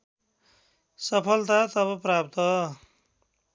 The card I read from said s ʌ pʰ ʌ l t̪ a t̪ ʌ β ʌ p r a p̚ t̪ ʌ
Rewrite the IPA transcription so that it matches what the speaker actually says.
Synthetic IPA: s ʌ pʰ ʌ l t̪ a t̪ ʌ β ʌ p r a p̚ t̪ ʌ